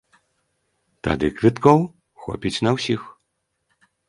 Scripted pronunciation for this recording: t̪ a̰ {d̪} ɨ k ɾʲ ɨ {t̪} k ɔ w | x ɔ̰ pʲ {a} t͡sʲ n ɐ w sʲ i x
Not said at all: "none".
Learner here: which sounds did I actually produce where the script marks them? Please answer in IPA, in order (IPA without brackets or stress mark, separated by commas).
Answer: d̪, t̪, i